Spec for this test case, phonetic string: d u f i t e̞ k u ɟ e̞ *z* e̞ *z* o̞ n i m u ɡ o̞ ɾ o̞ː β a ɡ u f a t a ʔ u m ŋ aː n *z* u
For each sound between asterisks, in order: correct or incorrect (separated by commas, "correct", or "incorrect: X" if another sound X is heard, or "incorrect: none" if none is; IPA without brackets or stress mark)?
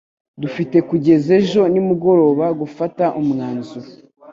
correct, incorrect: ʒ, correct